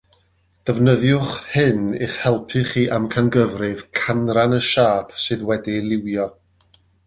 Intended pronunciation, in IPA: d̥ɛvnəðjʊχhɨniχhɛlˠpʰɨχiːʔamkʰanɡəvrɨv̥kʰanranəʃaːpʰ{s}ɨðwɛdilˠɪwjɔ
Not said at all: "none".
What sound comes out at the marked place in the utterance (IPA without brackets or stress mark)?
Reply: s